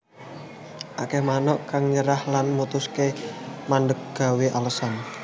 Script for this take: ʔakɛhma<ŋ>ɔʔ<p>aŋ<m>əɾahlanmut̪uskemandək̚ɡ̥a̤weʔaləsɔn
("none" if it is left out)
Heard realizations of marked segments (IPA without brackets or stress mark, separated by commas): n, k, ɲ